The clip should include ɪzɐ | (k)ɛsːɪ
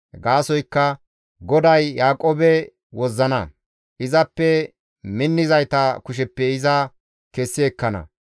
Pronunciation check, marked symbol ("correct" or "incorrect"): correct